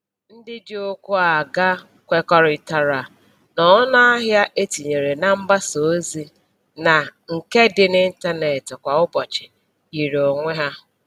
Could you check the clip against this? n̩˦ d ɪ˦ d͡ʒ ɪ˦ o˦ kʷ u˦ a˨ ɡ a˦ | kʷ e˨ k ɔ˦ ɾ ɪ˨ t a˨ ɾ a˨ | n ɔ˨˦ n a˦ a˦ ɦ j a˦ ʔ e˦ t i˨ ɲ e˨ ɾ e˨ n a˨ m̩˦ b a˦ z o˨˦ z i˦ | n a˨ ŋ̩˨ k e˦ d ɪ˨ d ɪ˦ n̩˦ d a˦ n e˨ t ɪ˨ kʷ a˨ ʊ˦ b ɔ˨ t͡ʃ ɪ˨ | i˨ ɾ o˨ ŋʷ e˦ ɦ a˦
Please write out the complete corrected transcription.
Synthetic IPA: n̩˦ d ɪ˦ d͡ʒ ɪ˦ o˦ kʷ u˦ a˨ ɡ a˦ | kʷ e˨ k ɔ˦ ɾ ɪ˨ t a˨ ɾ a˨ | n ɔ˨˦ n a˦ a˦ ɦ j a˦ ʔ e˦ t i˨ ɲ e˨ ɾ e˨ n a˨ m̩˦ b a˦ s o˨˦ z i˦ | n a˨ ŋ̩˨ k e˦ d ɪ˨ n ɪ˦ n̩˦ t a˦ n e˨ t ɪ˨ kʷ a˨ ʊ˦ b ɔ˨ t͡ʃ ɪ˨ | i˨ ɾ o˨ ŋʷ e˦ ɦ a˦